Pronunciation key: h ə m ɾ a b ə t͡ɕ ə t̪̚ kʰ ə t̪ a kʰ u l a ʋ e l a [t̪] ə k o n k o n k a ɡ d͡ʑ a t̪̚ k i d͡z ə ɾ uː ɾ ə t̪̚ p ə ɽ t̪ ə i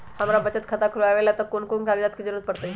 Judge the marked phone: correct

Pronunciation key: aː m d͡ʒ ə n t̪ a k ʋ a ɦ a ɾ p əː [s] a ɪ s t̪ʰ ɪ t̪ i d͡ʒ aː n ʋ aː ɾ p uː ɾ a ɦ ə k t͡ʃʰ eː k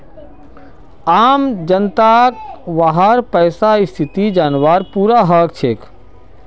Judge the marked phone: correct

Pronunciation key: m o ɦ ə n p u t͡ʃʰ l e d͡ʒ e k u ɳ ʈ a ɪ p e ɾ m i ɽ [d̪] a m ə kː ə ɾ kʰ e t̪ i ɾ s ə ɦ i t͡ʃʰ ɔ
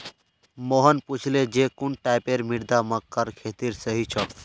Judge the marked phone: correct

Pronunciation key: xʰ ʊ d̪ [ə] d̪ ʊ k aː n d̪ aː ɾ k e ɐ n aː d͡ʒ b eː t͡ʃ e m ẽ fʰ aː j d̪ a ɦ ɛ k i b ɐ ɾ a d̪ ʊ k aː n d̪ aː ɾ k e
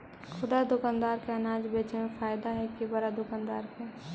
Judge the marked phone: incorrect: a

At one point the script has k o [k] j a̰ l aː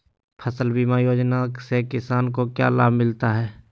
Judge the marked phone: correct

